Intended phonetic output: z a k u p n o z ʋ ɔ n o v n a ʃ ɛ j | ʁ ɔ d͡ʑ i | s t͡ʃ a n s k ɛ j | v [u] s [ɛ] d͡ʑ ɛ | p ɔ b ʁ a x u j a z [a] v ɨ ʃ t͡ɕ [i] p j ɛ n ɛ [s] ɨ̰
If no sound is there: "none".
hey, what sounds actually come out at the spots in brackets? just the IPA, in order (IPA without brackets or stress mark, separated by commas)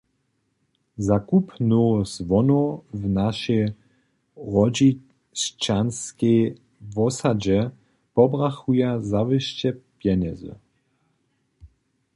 ɔ, a, a, ɛ, z